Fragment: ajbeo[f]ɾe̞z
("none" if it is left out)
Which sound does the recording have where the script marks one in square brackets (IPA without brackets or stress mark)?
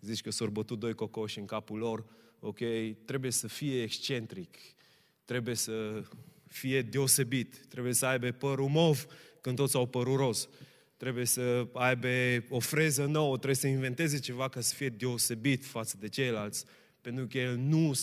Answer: f